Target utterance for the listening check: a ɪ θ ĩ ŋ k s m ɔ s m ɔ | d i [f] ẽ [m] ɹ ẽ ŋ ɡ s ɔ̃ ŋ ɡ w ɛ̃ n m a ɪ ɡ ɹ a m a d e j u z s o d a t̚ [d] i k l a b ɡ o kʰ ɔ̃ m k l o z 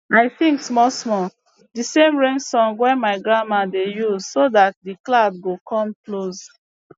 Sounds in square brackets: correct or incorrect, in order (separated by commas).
incorrect, correct, correct